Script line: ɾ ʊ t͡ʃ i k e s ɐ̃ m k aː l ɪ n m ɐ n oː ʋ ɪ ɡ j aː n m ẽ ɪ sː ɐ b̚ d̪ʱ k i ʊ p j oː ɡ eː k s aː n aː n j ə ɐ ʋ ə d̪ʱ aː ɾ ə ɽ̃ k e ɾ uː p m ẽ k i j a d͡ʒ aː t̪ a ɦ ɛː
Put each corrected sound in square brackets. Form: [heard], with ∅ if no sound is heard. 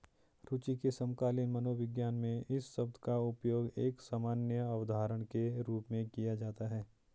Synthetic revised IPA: ɾ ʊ t͡ʃ i k e s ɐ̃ m k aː l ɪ n m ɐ n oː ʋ ɪ ɡ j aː n m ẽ ɪ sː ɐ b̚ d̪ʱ k [a] ʊ p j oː ɡ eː k s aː [m] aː n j ə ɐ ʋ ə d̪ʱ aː ɾ ə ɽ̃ k e ɾ uː p m ẽ k i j a d͡ʒ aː t̪ a ɦ ɛː